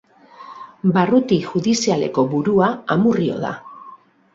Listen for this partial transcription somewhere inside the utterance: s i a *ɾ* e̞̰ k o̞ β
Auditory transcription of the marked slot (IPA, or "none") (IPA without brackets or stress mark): l